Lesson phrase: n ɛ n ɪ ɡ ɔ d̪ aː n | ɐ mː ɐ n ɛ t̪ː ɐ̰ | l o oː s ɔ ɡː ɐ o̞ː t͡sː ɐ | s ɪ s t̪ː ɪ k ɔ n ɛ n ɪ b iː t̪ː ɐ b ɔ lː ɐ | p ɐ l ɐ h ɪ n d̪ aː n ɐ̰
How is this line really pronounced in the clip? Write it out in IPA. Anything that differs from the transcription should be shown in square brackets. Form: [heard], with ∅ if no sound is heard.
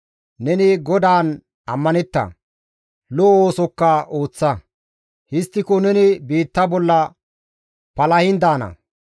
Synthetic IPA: n ɛ n ɪ ɡ ɔ d̪ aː n | ɐ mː ɐ n ɛ t̪ː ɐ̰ | l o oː s ɔ [kː] ɐ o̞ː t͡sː ɐ | [h] ɪ s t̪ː ɪ k ɔ n ɛ n ɪ b iː t̪ː ɐ b ɔ lː ɐ | p ɐ l ɐ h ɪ n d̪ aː n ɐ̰